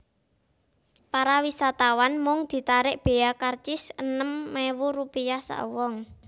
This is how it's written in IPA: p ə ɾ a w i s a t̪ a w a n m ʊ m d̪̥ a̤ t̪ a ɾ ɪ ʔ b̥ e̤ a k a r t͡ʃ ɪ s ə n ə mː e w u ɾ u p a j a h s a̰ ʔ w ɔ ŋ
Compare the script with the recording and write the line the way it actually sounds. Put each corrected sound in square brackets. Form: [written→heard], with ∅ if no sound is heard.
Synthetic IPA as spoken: p [ə→a] ɾ a w i s a t̪ a w a n m ʊ [m→ŋ] d̪̥ [a̤→i̤] t̪ a ɾ ɪ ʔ b̥ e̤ a k a r t͡ʃ ɪ s ə n ə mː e w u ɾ u p [a→i] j a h s a̰ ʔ w ɔ ŋ